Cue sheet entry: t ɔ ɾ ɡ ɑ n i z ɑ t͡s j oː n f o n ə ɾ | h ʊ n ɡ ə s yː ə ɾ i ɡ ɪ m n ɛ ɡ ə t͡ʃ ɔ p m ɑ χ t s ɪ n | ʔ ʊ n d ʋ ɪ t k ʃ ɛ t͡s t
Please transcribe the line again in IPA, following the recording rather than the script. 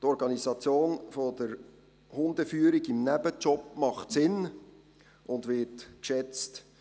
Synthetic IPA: t ɔ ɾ ɡ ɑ n i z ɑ t͡s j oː n f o d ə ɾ | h ʊ n d ə f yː ə ɾ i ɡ ɪ m n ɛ b ə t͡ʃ ɔ p m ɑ χ t s ɪ n | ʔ ʊ n d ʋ ɪ t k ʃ ɛ t͡s t